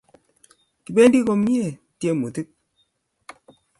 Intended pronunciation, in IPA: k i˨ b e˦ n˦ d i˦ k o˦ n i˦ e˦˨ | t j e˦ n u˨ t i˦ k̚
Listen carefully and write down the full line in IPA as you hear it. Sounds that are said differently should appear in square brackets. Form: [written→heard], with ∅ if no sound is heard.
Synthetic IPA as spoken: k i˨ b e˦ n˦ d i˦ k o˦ [n→m] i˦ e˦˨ | t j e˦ [n→m] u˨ t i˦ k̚